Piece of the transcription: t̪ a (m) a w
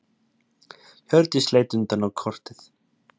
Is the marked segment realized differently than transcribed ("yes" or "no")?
yes